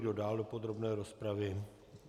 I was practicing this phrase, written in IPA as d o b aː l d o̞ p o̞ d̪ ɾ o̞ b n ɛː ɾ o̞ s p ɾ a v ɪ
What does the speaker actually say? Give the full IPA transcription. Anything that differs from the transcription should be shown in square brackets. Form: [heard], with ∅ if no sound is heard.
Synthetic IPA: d o [d] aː l d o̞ p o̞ d̪ ɾ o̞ b n ɛː ɾ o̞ s p ɾ a v ɪ